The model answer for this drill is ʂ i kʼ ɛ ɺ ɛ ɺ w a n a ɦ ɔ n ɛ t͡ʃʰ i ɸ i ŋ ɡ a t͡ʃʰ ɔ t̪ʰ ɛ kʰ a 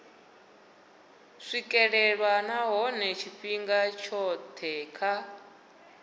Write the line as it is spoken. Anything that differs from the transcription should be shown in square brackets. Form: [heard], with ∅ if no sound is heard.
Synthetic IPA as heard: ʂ i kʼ ɛ ɺ ɛ ɺ w a n a ɦ ɔ n ɛ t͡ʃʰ i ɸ i ŋ ɡ a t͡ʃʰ ɔ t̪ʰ ɛ kʰ a